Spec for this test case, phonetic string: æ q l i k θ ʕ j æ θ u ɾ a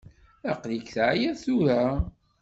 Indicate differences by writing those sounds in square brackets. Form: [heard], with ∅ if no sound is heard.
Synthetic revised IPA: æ q l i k θ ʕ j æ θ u ɾ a